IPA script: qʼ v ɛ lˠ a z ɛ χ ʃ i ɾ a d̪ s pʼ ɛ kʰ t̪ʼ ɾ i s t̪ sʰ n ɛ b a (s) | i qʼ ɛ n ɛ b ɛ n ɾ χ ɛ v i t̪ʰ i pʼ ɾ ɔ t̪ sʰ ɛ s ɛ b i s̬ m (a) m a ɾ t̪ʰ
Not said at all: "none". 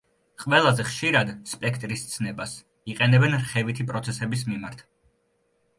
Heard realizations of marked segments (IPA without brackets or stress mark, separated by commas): s, i